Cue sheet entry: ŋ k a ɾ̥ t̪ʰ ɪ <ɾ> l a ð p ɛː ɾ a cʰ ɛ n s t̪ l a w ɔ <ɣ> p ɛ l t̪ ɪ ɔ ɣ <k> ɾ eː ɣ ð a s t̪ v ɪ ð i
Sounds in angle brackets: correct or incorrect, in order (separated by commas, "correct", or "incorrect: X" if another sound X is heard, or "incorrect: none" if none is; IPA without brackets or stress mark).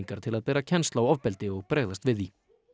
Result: incorrect: none, incorrect: v, incorrect: p